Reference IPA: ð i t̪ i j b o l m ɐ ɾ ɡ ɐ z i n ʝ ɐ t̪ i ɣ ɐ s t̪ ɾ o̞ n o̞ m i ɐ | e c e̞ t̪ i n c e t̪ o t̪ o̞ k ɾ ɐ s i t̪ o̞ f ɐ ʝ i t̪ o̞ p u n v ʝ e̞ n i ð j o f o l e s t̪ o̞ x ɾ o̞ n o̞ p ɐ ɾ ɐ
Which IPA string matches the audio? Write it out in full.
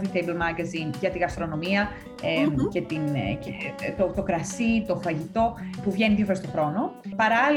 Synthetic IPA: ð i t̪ e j b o l m ɐ ɾ ɡ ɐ z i n ʝ ɐ t̪ i ɣ ɐ s t̪ ɾ o̞ n o̞ m i ɐ | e c e̞ t̪ i n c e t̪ o t̪ o̞ k ɾ ɐ s i t̪ o̞ f ɐ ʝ i t̪ o̞ p u v ʝ e̞ n i ð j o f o ɾ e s t̪ o̞ x ɾ o̞ n o̞ p ɐ ɾ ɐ